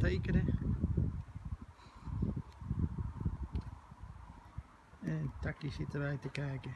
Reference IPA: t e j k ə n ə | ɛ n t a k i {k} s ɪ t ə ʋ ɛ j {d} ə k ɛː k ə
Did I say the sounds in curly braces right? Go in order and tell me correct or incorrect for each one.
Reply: incorrect: none, incorrect: t

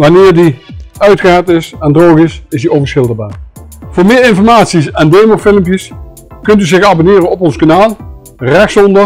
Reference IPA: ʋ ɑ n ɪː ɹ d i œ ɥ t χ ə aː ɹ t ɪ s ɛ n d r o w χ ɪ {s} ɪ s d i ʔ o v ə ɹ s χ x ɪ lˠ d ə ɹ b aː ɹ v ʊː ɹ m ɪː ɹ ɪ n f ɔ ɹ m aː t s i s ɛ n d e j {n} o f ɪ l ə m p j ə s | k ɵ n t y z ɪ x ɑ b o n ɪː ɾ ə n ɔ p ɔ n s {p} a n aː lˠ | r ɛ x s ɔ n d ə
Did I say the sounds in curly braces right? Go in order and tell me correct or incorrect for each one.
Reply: correct, incorrect: m, incorrect: k

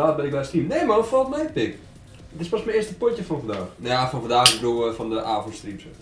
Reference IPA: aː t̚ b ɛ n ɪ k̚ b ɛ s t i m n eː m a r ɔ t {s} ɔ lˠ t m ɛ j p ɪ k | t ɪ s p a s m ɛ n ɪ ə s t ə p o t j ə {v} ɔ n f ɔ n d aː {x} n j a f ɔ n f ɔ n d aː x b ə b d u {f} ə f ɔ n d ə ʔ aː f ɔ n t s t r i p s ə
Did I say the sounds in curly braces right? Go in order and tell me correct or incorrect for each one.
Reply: incorrect: f, incorrect: f, correct, incorrect: none

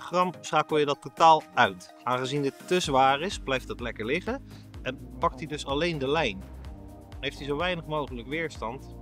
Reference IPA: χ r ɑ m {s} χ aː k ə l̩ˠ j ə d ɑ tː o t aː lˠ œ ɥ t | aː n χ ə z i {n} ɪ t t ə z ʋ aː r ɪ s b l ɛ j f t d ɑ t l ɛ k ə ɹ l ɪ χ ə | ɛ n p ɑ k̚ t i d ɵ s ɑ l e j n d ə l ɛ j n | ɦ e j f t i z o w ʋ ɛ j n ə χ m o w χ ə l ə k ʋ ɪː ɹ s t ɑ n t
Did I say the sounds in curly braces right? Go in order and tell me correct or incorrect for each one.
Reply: correct, correct

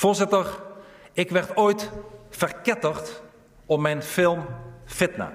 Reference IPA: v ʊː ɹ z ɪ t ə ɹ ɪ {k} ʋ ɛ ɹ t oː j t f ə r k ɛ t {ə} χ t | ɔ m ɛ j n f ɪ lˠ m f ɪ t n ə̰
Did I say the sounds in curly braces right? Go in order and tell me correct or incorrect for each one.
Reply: correct, correct

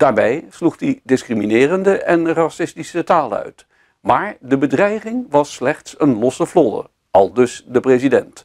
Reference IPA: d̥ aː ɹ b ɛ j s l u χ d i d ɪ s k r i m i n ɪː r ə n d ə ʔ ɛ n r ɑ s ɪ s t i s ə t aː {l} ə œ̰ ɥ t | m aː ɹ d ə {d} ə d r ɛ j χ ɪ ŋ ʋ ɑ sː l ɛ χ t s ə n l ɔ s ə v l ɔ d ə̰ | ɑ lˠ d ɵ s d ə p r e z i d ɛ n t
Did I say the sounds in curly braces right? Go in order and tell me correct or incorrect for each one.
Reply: correct, incorrect: b

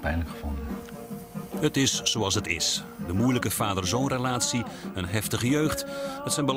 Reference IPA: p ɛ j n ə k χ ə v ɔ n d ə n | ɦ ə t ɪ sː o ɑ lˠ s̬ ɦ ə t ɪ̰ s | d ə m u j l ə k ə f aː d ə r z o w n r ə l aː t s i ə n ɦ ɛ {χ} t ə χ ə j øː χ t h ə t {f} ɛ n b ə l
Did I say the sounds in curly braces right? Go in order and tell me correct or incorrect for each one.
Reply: incorrect: f, incorrect: s

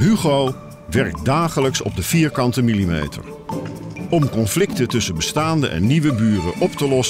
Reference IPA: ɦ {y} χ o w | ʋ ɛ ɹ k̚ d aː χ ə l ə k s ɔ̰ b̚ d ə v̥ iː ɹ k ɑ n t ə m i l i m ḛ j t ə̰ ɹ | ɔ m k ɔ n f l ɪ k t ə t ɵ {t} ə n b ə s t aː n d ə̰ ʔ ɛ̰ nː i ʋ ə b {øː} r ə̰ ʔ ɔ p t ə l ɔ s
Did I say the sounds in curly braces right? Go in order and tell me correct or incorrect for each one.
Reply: correct, incorrect: s, incorrect: yː

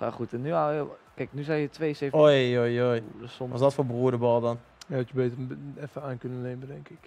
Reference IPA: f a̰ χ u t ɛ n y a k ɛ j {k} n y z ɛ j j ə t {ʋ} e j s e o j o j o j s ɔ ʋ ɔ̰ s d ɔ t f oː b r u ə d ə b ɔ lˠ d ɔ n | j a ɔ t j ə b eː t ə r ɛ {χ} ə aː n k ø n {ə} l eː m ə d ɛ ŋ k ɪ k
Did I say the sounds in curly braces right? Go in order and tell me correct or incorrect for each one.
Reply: correct, correct, incorrect: f, correct

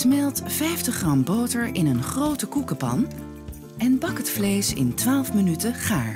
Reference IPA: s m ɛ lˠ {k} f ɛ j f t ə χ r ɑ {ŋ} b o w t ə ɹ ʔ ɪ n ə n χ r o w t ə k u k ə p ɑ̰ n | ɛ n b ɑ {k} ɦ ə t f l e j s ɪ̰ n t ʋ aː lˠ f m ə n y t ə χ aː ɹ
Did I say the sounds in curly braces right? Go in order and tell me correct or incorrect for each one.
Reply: incorrect: t, incorrect: m, correct

